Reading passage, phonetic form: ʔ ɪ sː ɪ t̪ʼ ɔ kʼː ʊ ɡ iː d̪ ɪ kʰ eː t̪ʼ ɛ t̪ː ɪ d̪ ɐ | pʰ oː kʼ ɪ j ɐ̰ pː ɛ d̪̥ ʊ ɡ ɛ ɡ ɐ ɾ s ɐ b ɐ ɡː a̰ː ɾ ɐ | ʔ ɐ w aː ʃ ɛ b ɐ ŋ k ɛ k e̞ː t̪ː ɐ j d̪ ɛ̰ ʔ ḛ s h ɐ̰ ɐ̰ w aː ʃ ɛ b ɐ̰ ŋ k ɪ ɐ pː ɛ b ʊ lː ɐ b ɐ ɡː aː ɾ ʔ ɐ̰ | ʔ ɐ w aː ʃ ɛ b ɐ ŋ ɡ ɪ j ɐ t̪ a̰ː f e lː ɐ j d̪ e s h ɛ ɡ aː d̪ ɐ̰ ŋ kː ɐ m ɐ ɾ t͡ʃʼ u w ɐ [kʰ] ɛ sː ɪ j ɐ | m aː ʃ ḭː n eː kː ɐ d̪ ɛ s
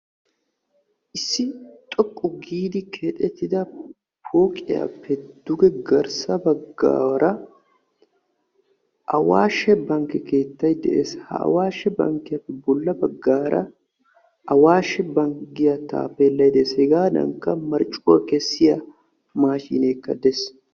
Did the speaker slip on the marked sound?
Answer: yes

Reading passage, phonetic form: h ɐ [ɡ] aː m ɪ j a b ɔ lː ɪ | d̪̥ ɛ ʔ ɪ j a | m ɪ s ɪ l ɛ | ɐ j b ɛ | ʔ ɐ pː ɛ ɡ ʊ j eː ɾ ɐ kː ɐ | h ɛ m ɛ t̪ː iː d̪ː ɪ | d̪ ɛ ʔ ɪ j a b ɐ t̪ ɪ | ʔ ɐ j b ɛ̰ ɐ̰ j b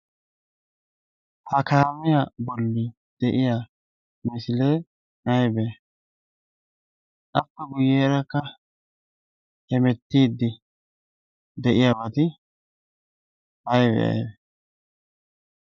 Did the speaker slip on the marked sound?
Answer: yes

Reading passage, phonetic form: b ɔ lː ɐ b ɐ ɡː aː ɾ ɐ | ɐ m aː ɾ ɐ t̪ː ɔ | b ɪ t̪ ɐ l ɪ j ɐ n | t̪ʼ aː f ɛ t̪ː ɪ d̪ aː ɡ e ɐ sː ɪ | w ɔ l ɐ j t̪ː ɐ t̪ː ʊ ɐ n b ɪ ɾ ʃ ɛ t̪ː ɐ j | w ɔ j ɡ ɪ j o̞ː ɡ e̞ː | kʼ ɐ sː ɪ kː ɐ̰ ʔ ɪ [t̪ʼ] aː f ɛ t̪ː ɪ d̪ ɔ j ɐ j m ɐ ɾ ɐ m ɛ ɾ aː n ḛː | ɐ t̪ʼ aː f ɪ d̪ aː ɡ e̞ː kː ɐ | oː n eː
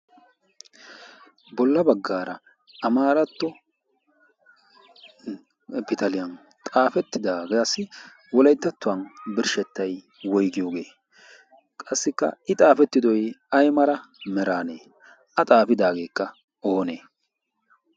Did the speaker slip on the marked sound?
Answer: no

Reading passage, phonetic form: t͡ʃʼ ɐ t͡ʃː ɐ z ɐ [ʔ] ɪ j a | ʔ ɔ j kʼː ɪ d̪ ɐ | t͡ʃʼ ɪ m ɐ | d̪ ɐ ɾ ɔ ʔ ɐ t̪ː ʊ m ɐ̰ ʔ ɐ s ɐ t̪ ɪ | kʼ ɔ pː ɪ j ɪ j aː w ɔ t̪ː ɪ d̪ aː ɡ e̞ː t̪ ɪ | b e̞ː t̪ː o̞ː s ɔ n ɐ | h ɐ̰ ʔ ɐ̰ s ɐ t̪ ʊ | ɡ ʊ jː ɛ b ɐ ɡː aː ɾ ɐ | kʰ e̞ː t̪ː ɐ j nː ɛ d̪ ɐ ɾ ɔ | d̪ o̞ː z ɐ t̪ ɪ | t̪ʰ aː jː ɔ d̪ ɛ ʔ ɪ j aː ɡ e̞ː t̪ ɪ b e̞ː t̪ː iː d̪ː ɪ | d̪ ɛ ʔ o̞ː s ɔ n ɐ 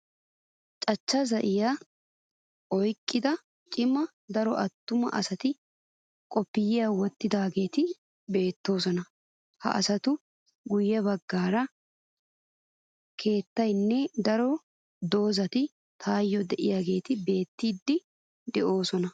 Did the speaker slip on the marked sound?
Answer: no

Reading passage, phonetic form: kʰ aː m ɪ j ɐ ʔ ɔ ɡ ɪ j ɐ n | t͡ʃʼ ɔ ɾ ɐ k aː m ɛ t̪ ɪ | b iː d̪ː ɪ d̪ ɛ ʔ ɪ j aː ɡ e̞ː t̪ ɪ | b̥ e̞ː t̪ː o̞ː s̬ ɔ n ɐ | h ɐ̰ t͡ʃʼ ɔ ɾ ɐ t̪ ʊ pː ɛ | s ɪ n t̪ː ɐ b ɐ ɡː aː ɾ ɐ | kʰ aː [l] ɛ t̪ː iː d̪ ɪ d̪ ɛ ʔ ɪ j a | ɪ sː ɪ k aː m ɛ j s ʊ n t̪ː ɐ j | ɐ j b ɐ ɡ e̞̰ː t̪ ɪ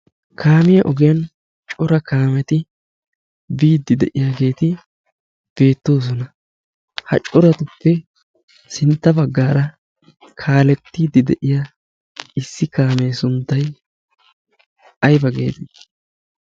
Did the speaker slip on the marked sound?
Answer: no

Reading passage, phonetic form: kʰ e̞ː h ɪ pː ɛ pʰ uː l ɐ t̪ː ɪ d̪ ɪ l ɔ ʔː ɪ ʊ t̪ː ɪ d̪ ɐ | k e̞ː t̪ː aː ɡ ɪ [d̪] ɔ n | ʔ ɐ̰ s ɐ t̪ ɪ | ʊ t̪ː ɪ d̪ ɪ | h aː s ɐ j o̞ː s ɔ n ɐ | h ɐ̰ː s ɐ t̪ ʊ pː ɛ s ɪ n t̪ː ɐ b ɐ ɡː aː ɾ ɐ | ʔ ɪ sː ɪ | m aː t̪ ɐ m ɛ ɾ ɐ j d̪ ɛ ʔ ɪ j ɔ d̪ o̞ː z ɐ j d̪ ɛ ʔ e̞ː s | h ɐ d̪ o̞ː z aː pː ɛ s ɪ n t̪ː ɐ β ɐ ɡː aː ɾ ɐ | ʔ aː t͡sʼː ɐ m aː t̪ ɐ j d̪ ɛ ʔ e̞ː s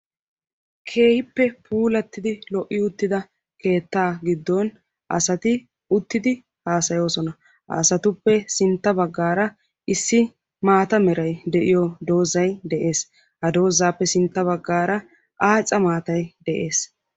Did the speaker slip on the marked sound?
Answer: yes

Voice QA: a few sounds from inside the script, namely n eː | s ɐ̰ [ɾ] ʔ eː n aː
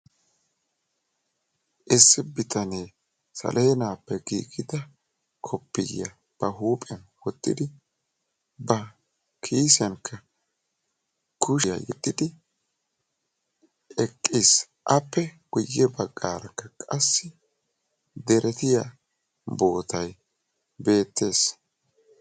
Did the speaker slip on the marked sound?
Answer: yes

